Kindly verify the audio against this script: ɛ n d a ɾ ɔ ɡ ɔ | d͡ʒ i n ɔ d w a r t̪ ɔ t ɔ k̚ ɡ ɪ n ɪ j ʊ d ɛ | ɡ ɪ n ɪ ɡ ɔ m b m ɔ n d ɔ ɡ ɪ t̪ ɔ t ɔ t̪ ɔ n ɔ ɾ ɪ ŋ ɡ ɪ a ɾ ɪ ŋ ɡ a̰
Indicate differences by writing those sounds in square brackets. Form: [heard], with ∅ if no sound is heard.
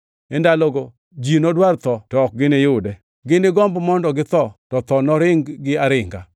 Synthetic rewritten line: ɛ n d a [l] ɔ ɡ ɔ | d͡ʒ i n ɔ d w a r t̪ ɔ t ɔ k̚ ɡ ɪ n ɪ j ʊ d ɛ | ɡ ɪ n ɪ ɡ ɔ m b m ɔ n d ɔ ɡ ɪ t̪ ɔ t ɔ t̪ ɔ n ɔ ɾ ɪ ŋ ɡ ɪ a ɾ ɪ ŋ ɡ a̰